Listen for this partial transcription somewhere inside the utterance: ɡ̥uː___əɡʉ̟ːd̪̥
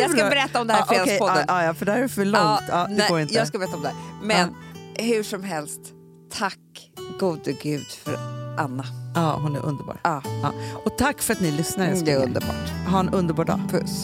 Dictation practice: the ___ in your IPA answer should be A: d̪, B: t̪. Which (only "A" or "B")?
A